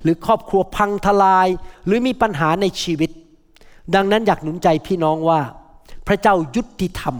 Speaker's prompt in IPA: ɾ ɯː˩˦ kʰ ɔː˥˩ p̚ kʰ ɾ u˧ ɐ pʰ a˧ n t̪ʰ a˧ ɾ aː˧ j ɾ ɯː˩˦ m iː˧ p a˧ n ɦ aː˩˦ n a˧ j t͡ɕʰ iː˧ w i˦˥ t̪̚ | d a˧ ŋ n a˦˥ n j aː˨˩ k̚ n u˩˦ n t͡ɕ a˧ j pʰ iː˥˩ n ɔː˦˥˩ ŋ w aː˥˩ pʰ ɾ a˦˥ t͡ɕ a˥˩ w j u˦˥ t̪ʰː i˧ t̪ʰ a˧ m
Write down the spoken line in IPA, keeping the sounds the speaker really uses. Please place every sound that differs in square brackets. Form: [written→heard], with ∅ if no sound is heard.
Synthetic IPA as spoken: ɾ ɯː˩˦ kʰ ɔː˥˩ p̚ kʰ ɾ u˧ ɐ pʰ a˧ [n→ŋ] t̪ʰ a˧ [ɾ→l] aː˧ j ɾ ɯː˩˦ m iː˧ p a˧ n ɦ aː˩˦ n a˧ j t͡ɕʰ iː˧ w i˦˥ t̪̚ | d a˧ ŋ n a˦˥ n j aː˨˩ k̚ n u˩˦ n t͡ɕ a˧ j pʰ iː˥˩ n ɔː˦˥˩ ŋ w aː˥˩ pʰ ɾ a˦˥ t͡ɕ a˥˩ w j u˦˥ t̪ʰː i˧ t̪ʰ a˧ m